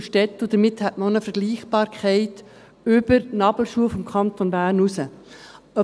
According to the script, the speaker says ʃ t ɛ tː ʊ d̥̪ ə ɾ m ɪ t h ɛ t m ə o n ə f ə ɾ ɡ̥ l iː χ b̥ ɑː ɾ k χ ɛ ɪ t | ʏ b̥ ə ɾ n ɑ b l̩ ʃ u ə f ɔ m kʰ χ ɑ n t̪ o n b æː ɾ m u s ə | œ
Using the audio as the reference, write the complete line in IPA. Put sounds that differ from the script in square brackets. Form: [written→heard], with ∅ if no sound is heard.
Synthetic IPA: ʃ t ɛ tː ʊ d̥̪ ə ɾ m ɪ t h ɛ t m ə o n ə f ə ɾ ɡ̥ l iː χ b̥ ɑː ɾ k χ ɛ ɪ t | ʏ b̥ ə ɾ n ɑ b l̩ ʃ u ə f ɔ m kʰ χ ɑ n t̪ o n b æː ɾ [m→n] u s ə | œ